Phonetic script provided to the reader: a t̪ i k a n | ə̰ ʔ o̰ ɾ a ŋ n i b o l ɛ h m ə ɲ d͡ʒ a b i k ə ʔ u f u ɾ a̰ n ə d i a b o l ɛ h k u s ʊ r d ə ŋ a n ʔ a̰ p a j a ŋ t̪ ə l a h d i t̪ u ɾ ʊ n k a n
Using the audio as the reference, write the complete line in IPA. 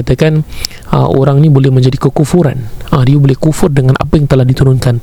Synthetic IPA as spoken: a t̪ a k a n | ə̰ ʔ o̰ ɾ a ŋ n i b o l ɛ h m ə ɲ d͡ʒ a d i k ə k u f u ɾ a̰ n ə d i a b o l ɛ h k u f ʊ r d ə ŋ a n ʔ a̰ p a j a ŋ t̪ ə l a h d i t̪ u ɾ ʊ n k a n